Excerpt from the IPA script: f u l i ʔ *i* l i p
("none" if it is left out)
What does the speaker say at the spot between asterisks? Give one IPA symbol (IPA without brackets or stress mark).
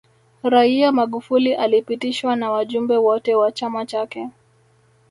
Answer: a